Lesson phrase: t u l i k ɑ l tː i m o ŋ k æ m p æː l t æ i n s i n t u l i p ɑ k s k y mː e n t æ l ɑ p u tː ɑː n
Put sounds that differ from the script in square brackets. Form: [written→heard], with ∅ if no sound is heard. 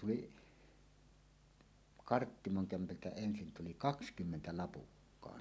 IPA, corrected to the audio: t u l i k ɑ [l→r] tː i m o ŋ k æ m p [æː→æ] l t æ [i→e] n s i n t u l i [p→k] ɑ k s k y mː e n t æ l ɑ p u [tː→kː] ɑː n